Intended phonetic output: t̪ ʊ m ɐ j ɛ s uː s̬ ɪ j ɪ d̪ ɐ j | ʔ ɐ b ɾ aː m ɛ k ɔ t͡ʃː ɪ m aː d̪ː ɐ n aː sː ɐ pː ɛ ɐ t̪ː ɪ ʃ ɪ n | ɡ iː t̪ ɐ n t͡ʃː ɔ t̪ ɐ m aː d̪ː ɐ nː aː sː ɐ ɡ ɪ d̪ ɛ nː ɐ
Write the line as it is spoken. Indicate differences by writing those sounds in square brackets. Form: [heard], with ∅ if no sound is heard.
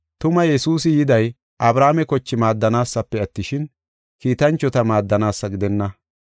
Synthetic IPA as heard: t̪ ʊ m ɐ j ɛ s uː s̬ ɪ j ɪ d̪ ɐ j | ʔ ɐ b ɾ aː m ɛ k ɔ t͡ʃː ɪ m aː d̪ː ɐ n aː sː ɐ pː ɛ ɐ t̪ː ɪ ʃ ɪ n | [k] iː t̪ ɐ n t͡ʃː ɔ t̪ ɐ m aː d̪ː ɐ [n] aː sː ɐ ɡ ɪ d̪ ɛ nː ɐ